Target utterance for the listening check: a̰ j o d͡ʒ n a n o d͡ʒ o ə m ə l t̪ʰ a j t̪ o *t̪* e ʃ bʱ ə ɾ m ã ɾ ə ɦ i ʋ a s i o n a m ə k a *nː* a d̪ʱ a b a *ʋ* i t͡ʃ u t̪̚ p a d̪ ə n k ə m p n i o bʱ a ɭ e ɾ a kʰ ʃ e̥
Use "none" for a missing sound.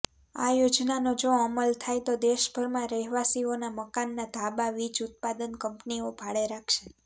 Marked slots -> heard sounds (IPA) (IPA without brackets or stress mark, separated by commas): d̪, nː, ʋ